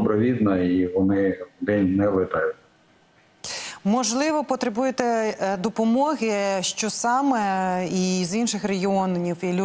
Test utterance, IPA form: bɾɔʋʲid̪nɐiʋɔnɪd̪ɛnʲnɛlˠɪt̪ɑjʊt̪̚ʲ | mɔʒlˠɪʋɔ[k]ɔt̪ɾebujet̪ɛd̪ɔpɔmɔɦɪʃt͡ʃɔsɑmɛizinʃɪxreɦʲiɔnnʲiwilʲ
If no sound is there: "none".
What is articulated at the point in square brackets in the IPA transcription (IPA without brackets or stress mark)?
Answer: p